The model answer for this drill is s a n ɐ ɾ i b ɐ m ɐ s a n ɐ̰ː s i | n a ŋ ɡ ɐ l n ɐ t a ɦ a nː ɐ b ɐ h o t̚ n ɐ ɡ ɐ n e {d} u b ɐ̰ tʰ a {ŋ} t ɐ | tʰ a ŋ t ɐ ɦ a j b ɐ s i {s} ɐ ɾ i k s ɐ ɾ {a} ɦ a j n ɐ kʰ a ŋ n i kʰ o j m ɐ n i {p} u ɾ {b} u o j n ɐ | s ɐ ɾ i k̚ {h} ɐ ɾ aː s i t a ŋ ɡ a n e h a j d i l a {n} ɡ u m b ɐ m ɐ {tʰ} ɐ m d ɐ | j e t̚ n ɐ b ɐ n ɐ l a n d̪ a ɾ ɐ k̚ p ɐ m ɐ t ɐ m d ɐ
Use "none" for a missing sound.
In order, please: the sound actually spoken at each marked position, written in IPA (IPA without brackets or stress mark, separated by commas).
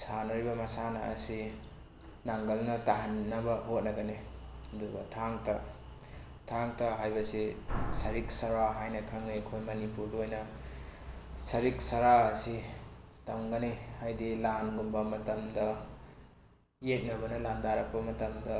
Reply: d, ŋ, s, a, p, d, s, n, t